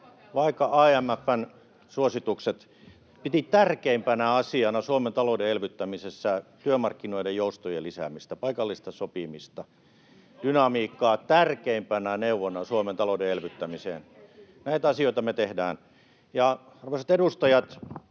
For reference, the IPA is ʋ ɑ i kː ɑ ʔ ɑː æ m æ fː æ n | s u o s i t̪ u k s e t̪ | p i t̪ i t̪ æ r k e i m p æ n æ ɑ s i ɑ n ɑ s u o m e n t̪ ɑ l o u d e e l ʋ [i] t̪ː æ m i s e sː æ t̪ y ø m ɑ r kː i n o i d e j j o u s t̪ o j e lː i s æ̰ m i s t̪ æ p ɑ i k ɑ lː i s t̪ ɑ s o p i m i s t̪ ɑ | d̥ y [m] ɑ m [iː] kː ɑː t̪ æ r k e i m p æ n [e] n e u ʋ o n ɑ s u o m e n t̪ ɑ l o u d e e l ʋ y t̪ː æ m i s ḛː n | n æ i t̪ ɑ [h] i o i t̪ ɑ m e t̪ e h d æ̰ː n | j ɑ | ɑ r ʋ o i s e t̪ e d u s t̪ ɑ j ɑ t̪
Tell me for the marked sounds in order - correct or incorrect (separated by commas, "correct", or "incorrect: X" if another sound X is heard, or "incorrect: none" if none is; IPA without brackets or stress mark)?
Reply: incorrect: y, incorrect: n, correct, incorrect: æ, incorrect: s